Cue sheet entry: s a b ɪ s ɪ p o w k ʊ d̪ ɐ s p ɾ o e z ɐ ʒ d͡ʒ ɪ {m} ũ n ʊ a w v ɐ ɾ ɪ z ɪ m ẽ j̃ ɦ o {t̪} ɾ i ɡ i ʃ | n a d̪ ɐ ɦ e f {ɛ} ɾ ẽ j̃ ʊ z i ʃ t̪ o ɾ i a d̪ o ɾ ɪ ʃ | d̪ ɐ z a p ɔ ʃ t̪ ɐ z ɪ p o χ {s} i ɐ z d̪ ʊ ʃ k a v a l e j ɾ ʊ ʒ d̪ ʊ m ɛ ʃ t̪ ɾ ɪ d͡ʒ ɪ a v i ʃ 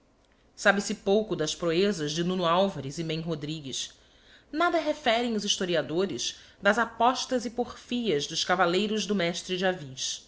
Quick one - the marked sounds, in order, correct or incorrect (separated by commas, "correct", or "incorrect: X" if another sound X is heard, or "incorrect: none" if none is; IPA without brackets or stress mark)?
incorrect: n, incorrect: d̪, correct, incorrect: f